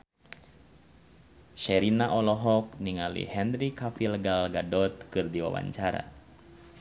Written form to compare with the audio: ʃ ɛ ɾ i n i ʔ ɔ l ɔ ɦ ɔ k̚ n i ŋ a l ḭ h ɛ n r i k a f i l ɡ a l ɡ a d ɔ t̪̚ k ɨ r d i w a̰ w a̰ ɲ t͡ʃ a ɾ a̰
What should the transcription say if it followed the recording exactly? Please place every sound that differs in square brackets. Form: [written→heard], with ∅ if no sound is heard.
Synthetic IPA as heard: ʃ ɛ ɾ i n [i→a] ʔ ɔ l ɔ ɦ ɔ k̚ n i ŋ a l ḭ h ɛ n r i k a f i l ɡ a l ɡ a d ɔ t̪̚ k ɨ r d i w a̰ w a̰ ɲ t͡ʃ a ɾ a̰